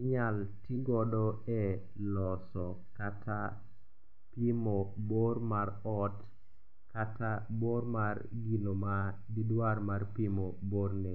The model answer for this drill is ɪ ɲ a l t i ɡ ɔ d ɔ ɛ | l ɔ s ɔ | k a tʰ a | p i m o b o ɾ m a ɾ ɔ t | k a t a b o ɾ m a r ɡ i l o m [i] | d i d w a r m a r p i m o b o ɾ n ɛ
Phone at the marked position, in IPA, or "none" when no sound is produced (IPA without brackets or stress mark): a